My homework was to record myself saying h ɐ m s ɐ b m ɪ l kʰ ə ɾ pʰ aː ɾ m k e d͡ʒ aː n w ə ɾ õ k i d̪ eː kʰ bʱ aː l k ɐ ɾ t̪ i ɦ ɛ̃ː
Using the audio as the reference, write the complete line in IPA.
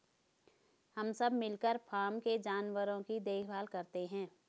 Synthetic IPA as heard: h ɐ m s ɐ b m ɪ l k ə ɾ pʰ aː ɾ m k e d͡ʒ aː n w ə ɾ õ k i d̪ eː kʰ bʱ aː l k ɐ ɾ t̪ e ɦ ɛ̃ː